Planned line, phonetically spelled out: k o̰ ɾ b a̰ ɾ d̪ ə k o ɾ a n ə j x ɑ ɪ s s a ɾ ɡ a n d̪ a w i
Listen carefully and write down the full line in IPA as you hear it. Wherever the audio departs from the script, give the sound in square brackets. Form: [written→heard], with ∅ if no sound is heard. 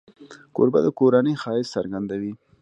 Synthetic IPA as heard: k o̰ ɾ b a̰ [ɾ→∅] d̪ ə k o ɾ a n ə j x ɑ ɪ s s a ɾ ɡ a n d̪ a w i